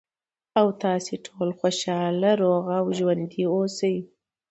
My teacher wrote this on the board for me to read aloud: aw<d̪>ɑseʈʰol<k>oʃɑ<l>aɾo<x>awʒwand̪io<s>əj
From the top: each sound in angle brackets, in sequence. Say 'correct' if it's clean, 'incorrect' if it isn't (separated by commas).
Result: incorrect, incorrect, correct, incorrect, correct